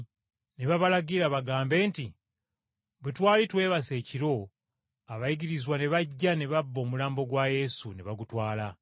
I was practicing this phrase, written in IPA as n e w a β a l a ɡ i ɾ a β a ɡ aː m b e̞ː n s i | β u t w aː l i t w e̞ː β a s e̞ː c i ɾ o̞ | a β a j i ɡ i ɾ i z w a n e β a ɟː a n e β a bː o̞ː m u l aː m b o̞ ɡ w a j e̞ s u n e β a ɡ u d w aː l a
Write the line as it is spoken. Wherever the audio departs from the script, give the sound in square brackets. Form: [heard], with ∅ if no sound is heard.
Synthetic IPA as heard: n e [β] a β a l a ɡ i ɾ a β a ɡ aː m b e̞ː n [t] i | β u t w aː l i t w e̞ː β a s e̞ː c i ɾ o̞ | a β a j i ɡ i ɾ i z w a n e β a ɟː a n e β a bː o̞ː m u l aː m b o̞ ɡ w a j e̞ s u n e β a ɡ u [t] w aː l a

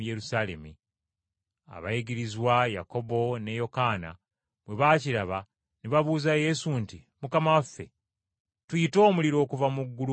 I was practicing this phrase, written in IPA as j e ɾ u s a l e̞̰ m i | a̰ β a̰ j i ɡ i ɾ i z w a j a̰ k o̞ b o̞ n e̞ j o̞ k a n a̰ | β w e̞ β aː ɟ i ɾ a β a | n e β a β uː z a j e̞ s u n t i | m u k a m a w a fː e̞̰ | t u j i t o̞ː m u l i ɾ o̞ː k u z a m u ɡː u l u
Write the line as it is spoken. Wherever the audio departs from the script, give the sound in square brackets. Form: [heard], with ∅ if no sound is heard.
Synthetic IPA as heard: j e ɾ u s a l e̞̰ m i | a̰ β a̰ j i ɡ i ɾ i z w a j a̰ k o̞ b o̞ n e̞ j o̞ k a n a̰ | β w e̞ β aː [c] i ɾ a β a | n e β a β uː z a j e̞ s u n t i | m u k a m a w a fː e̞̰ | t u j i t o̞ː m u l i ɾ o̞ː k u [v] a m u ɡː u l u

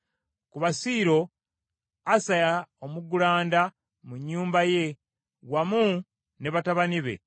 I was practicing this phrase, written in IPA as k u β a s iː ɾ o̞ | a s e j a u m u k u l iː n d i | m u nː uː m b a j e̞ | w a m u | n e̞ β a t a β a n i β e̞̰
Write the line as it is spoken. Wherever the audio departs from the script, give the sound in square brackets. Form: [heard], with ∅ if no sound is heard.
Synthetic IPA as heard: k u β a s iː ɾ o̞ | a s [a] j a [o] m u [ɡ] u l [aː] n d [a] | m u [ɲː] uː m b a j e̞ | w a m u | n e̞ β a t a β a n i β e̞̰

